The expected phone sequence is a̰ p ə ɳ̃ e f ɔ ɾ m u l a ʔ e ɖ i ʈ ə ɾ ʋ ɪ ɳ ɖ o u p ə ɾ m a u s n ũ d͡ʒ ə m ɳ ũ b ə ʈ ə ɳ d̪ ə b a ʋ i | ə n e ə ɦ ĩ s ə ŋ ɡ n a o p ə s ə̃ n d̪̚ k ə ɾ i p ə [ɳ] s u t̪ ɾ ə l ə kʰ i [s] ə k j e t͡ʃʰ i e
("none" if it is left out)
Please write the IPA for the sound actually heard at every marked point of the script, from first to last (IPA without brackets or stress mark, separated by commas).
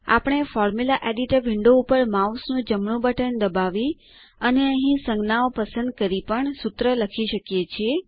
ɳ, ʃ